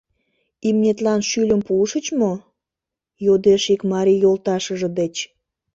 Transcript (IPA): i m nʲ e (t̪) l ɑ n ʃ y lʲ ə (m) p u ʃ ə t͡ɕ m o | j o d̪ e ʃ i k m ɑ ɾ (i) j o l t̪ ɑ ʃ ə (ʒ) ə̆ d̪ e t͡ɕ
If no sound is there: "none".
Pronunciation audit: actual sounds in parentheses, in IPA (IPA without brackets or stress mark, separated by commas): t̪, m, i, ʒ